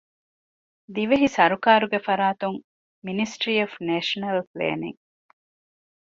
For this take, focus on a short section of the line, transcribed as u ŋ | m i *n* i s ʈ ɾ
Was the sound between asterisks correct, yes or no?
yes